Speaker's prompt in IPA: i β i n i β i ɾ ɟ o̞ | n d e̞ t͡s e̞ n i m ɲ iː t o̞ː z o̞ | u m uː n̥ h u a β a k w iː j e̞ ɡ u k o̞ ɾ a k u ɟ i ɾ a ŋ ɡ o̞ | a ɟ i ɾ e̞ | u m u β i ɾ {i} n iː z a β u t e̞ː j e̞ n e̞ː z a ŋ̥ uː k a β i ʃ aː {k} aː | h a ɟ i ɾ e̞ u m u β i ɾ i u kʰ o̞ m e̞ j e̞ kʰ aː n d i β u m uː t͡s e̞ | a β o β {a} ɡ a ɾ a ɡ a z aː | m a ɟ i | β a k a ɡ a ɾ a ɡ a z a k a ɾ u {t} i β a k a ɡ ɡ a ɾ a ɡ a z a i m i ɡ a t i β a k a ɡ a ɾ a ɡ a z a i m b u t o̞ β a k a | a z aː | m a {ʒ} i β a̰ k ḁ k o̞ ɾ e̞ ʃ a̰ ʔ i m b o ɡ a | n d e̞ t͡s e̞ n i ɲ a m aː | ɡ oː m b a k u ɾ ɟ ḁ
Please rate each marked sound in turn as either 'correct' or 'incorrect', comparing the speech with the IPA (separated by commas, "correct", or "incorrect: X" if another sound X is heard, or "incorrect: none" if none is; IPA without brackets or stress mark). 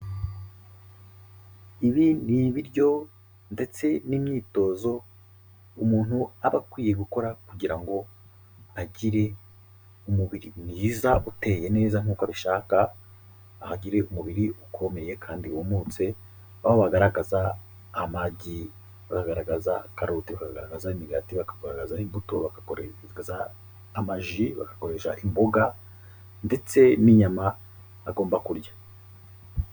correct, correct, correct, correct, correct